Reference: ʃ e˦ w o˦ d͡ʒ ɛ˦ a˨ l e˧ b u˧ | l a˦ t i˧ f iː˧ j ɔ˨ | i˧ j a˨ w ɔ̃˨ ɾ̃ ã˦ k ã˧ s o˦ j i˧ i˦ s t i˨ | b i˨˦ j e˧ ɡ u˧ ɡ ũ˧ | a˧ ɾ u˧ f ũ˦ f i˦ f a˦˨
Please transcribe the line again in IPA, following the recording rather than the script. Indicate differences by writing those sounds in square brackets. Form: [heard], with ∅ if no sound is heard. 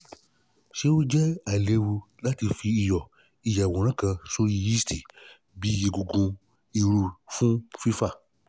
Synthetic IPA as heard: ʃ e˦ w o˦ d͡ʒ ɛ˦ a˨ l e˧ [w] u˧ | l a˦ t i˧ f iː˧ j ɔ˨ | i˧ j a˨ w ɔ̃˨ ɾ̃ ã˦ k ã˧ s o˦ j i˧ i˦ s t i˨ | b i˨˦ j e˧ ɡ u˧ ɡ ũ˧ | [i˧] ɾ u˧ f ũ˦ f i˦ f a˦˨